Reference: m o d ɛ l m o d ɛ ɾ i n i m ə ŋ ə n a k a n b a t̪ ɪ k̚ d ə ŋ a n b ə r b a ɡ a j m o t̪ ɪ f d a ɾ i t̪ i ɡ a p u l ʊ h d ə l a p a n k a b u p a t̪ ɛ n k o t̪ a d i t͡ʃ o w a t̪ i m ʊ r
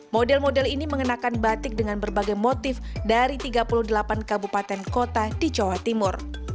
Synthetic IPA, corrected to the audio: m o d ɛ l m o d ɛ l i n i m ə ŋ ə n a k a n b a t̪ ɪ k̚ d ə ŋ a n b ə r b a ɡ a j m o t̪ ɪ f d a ɾ i t̪ i ɡ a p u l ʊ h d ə l a p a n k a b u p a t̪ ɛ n k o t̪ a d i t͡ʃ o w a t̪ i m ʊ r